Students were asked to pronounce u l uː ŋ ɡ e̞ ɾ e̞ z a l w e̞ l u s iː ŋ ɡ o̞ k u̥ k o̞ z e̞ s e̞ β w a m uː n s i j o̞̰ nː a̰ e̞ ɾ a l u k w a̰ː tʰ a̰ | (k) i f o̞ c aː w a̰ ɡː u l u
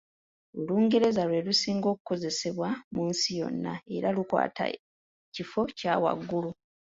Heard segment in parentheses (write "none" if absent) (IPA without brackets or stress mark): c